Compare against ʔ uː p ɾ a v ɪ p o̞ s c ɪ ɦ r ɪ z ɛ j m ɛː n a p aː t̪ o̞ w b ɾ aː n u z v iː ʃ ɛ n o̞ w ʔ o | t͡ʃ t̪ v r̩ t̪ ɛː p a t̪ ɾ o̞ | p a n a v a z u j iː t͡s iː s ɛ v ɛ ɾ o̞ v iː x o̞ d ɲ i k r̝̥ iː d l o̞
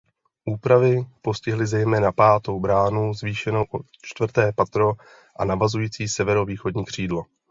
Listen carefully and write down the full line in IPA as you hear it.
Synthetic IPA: ʔ uː p ɾ a v ɪ p o̞ s c ɪ ɦ l ɪ z ɛ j m ɛː n a p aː t̪ o̞ w b ɾ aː n u z v iː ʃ ɛ n o̞ w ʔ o | t͡ʃ t̪ v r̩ t̪ ɛː p a t̪ ɾ o̞ | ʔ a n a v a z u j iː t͡s iː s ɛ v ɛ ɾ o̞ v iː x o̞ d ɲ iː k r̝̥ iː d l o̞